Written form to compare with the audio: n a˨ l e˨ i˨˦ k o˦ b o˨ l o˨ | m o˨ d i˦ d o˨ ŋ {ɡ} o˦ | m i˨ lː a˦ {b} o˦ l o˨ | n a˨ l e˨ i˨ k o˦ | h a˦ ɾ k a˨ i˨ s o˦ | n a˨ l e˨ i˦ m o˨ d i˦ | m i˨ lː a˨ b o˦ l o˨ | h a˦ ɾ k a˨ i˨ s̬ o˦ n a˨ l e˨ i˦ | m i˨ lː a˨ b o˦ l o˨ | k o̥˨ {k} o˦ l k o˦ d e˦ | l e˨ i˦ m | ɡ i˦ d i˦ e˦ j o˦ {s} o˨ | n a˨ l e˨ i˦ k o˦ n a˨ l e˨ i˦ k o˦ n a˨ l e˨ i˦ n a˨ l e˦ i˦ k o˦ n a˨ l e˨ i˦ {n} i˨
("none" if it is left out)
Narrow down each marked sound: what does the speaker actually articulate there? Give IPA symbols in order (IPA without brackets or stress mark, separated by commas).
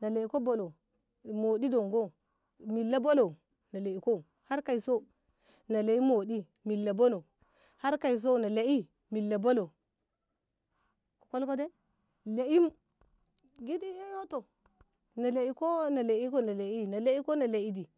ɡ, b, k, t, d